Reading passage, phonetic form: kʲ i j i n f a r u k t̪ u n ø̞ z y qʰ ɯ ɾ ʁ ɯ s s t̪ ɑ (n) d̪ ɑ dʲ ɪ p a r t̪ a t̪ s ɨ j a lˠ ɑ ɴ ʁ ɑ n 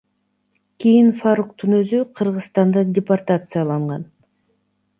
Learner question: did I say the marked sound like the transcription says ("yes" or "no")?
yes